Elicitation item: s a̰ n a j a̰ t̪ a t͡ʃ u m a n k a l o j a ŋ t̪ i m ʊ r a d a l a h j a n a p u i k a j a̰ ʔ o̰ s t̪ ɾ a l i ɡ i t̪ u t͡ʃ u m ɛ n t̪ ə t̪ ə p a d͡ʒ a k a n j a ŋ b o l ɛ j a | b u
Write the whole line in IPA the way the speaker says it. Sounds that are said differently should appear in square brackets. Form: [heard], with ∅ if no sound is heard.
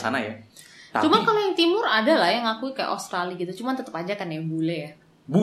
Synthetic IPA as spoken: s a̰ n a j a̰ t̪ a t͡ʃ u m a n k a l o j a ŋ t̪ i m ʊ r a d a l a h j a [ŋ] a [k] u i k a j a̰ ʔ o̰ s t̪ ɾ a l i ɡ i t̪ u t͡ʃ u m [a] n t̪ ə t̪ ə p a d͡ʒ a k a n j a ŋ b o l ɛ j a | b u